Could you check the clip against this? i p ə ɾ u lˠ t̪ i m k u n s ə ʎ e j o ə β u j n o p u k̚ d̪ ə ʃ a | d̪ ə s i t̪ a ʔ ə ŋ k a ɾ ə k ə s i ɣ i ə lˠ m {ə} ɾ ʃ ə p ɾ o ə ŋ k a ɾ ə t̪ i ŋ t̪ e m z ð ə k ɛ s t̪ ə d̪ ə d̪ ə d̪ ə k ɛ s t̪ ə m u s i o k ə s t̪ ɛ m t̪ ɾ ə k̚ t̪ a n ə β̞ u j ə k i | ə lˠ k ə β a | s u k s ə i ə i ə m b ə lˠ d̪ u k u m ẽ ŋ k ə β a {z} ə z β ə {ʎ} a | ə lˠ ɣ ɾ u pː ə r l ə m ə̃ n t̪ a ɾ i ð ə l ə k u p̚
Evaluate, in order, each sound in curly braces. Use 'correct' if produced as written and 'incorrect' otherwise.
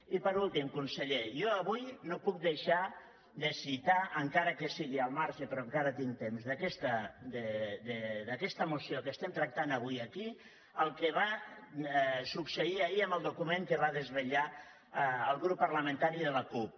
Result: incorrect, incorrect, correct

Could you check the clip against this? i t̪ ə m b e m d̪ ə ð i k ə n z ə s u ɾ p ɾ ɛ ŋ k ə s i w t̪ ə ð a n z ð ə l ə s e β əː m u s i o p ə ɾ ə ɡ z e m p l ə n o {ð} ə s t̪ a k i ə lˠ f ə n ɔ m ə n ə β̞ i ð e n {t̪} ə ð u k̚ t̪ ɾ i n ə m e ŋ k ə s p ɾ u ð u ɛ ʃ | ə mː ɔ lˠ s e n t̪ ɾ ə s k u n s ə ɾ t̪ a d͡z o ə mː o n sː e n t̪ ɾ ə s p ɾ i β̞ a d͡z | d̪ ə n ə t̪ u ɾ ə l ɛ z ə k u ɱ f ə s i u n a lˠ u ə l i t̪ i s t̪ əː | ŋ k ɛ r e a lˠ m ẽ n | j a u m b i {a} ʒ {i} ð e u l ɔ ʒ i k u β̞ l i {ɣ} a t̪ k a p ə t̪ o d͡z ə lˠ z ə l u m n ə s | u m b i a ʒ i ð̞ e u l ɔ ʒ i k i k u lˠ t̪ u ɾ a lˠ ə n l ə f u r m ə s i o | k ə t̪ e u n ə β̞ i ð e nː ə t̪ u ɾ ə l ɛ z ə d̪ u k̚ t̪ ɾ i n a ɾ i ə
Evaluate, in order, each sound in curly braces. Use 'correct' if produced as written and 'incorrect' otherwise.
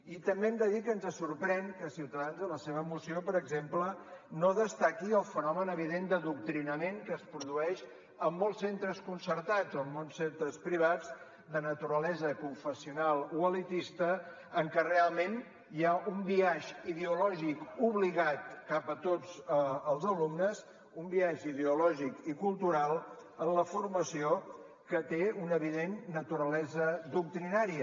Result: correct, incorrect, correct, correct, correct

